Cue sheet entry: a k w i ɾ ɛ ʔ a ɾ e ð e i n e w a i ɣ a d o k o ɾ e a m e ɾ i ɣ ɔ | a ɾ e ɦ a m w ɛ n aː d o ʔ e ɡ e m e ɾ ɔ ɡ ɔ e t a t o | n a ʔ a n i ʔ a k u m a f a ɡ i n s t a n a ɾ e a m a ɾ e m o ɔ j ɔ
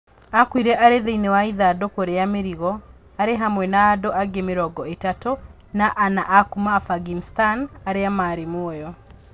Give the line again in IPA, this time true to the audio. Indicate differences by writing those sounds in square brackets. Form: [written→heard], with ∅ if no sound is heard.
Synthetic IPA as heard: a k w i ɾ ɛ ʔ a ɾ e ð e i n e w a i [ɣ→ð] a d o k o ɾ e a m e ɾ i ɣ ɔ | a ɾ e ɦ a m w ɛ n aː d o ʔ [e→a] ɡ e m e ɾ ɔ ɡ ɔ e t a t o | n a ʔ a n [i→a] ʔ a k u m a f a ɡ i n s t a n a ɾ e a m a ɾ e m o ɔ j ɔ